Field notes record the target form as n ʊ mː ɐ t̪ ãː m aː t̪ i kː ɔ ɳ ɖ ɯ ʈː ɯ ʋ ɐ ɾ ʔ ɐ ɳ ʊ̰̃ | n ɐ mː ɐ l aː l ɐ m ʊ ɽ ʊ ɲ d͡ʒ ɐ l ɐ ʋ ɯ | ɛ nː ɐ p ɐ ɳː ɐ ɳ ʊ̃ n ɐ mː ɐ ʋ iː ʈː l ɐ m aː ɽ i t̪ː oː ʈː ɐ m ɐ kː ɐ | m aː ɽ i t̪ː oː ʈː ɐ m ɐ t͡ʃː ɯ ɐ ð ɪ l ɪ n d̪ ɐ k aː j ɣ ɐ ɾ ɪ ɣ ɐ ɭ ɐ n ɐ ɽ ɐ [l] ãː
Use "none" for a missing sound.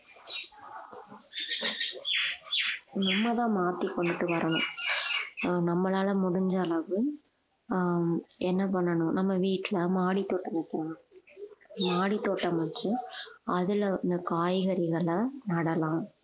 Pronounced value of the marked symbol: l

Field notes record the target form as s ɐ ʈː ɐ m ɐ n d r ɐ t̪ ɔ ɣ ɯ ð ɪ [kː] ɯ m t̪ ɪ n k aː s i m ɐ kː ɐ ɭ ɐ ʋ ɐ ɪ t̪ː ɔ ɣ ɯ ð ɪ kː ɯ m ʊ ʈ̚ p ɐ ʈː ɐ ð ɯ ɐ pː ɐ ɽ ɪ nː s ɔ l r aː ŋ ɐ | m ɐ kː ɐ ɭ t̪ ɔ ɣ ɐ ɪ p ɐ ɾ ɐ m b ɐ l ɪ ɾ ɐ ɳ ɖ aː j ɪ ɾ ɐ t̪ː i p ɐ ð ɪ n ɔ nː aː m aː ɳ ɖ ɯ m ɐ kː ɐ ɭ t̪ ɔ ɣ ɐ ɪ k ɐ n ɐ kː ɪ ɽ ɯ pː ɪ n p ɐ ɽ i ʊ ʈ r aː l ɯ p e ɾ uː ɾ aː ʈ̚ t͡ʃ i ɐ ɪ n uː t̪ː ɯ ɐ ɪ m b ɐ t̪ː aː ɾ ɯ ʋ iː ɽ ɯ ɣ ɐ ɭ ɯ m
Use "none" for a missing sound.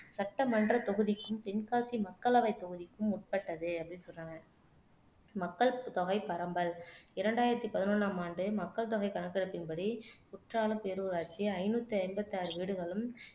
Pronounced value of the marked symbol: kː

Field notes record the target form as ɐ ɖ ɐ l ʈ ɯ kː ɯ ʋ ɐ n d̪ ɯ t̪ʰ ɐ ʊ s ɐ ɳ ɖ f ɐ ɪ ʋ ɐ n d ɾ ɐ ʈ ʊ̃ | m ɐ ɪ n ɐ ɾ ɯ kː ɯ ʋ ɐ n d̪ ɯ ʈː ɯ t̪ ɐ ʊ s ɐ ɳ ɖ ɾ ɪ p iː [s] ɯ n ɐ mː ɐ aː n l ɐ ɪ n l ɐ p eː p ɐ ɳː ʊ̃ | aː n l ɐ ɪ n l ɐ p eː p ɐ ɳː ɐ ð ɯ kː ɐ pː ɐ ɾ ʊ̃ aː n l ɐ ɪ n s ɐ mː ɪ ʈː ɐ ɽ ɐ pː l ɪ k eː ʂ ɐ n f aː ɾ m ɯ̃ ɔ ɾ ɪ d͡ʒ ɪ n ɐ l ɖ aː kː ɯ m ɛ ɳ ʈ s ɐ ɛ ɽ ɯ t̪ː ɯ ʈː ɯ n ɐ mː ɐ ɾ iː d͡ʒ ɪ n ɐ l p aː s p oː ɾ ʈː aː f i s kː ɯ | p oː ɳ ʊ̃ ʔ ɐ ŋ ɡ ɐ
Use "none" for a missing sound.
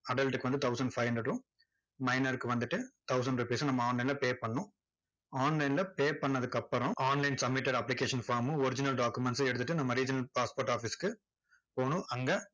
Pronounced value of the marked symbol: s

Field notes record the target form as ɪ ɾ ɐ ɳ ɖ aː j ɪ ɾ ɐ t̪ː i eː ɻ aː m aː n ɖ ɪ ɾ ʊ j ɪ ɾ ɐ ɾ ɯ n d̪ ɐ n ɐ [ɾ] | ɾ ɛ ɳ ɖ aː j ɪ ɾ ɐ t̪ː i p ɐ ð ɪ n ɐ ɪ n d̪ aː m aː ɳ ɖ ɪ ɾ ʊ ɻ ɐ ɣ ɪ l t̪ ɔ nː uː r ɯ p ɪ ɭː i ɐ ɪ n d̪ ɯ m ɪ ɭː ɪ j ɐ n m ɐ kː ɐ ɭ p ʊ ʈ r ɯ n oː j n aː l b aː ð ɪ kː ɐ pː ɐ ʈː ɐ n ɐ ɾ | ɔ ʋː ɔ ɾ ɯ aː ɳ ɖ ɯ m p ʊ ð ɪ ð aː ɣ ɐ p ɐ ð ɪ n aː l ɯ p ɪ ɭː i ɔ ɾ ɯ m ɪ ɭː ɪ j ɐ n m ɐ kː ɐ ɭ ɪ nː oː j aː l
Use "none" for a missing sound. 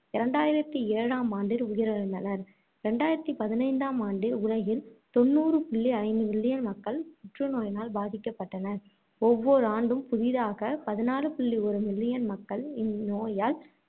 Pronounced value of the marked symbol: ɾ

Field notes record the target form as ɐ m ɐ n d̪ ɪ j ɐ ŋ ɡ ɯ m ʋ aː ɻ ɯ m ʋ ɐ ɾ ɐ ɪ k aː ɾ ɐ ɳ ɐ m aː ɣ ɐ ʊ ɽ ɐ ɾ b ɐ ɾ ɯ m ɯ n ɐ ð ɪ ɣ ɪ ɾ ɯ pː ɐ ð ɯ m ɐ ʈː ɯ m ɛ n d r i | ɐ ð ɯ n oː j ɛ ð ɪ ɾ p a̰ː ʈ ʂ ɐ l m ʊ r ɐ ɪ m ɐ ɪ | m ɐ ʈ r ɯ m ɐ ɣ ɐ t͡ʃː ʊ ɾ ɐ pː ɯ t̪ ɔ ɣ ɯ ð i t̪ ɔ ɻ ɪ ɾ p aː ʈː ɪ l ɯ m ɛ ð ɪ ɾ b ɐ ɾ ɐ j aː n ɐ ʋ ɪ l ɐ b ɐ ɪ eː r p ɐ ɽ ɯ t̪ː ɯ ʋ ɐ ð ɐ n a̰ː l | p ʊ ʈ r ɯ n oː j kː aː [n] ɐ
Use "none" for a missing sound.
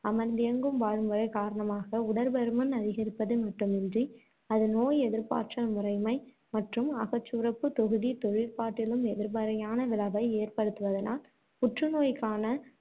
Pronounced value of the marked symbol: n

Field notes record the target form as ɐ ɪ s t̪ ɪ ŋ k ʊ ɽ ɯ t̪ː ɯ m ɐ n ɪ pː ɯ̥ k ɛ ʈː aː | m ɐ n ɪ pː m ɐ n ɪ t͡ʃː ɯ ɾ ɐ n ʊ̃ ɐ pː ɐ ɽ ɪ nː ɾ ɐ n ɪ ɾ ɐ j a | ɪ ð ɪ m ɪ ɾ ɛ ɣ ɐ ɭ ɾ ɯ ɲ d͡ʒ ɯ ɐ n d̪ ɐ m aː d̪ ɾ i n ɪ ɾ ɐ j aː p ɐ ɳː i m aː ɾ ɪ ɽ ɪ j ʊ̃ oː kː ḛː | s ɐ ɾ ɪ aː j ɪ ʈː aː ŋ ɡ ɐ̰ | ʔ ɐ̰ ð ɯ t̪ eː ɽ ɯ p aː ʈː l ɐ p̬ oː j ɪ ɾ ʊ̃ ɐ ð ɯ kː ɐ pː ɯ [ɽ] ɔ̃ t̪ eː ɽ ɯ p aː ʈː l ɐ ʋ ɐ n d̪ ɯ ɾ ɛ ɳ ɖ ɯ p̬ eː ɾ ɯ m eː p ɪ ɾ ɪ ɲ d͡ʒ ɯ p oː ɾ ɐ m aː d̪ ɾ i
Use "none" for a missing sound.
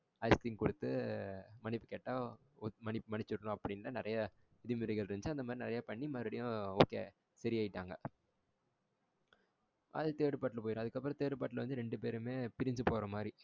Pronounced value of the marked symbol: ɾ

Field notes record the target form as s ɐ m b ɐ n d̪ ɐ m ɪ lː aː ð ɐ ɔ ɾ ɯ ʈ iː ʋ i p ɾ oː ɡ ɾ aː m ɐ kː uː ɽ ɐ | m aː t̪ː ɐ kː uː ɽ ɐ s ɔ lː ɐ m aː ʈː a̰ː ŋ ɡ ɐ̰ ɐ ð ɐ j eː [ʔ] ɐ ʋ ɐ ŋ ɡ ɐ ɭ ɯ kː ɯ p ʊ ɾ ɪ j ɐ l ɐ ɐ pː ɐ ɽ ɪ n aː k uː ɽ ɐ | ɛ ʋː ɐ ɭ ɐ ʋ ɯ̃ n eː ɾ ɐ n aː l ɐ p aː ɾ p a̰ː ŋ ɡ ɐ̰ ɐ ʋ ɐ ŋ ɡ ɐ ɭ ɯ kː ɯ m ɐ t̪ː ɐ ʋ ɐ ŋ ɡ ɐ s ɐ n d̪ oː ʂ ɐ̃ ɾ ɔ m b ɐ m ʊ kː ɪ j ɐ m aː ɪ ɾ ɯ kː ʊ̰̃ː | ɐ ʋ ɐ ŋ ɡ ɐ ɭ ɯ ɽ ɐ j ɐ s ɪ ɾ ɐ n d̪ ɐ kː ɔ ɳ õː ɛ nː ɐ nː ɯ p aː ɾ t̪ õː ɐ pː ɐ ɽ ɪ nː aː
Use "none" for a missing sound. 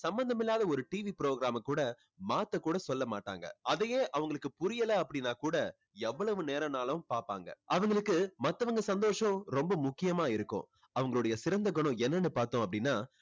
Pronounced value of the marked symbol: ʔ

